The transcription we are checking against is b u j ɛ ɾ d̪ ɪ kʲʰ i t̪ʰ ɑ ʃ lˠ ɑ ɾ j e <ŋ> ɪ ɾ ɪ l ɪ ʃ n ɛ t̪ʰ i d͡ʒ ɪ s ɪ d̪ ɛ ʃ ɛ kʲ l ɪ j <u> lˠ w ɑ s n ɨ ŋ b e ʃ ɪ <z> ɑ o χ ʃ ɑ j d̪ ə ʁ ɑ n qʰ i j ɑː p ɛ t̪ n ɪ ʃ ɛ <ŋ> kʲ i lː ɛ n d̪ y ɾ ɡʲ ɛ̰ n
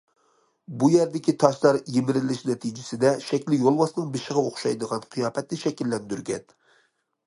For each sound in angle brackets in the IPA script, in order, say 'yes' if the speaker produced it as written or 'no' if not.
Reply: no, no, no, no

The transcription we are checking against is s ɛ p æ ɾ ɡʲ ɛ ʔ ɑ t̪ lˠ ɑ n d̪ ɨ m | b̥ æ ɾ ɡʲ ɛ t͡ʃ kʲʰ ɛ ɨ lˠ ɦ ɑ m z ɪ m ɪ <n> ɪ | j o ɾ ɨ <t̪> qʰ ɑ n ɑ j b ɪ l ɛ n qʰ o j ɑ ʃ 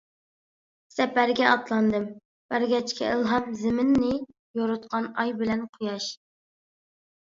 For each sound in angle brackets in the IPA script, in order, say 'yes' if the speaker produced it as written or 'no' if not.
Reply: no, yes

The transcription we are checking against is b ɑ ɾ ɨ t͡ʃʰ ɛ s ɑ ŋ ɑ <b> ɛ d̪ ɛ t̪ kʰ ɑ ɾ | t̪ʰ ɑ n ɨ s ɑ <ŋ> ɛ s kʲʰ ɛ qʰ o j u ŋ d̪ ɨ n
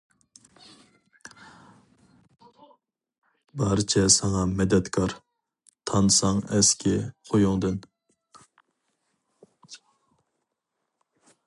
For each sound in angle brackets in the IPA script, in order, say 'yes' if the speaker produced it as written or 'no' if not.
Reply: no, yes

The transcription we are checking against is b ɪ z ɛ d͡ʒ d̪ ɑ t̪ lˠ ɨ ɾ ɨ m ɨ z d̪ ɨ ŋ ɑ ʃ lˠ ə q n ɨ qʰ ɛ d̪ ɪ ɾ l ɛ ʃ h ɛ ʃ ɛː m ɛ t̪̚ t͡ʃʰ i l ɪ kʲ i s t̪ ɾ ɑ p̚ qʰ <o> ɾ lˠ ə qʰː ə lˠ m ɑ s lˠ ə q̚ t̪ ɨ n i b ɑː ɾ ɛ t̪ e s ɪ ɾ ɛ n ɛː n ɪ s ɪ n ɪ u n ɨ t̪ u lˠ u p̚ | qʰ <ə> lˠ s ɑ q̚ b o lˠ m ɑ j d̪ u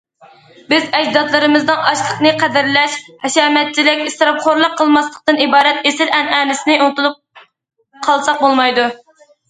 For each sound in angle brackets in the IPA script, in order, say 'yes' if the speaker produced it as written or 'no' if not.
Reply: yes, no

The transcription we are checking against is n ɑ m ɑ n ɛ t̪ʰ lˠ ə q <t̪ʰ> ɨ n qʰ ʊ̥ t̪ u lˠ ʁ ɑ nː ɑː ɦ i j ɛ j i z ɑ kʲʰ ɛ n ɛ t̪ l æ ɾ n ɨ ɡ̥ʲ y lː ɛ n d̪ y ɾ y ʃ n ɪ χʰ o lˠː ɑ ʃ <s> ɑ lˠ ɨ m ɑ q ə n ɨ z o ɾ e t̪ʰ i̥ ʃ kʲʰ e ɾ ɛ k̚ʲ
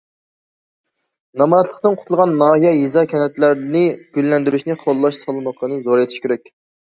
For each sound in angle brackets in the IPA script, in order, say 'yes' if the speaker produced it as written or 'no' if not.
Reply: no, yes

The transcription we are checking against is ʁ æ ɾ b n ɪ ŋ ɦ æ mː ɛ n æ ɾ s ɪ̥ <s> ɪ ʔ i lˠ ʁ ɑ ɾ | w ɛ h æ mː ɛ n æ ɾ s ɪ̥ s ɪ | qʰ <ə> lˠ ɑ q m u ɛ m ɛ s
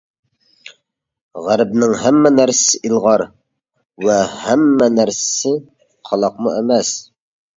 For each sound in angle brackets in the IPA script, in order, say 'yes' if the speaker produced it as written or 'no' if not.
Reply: yes, no

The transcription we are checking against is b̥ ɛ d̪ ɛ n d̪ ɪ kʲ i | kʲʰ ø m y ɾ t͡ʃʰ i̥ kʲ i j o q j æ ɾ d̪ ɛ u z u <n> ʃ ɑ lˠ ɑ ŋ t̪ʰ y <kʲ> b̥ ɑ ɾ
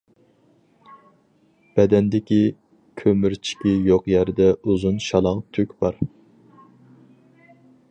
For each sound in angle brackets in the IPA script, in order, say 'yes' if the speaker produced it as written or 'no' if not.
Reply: yes, yes

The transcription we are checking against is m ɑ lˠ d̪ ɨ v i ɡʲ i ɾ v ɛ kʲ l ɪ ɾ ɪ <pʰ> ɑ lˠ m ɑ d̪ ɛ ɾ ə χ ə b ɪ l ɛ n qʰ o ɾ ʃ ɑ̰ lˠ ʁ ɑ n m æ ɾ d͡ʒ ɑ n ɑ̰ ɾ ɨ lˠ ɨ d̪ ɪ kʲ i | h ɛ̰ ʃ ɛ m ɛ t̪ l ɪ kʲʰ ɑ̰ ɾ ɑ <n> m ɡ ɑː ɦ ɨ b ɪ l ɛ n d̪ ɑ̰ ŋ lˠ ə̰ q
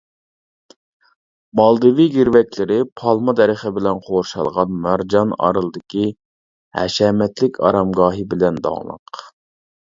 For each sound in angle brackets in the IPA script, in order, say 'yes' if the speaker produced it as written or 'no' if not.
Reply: yes, no

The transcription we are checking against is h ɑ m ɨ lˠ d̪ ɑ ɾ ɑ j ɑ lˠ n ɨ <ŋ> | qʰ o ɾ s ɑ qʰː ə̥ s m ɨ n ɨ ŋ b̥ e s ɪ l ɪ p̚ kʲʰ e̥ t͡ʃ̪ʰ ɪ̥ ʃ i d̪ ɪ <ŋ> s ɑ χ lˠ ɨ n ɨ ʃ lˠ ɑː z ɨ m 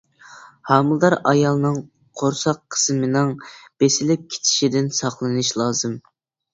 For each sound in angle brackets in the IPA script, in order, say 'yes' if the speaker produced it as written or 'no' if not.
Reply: yes, no

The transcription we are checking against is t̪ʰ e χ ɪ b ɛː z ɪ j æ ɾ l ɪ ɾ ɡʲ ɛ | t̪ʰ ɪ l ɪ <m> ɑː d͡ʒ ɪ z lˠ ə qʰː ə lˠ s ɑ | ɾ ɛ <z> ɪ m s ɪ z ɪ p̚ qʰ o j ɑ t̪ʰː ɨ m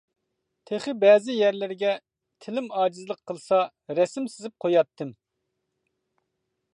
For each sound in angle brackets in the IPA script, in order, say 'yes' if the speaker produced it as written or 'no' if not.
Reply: yes, no

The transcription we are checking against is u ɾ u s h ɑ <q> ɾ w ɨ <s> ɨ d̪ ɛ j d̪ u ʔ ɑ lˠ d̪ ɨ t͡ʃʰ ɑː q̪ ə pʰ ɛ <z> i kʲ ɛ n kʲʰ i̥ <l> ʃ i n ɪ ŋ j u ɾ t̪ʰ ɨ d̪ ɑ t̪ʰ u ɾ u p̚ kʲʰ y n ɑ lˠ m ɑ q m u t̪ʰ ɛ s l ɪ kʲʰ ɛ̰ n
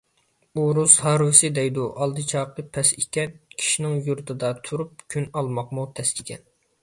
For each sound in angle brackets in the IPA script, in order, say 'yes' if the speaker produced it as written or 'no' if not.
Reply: no, yes, no, no

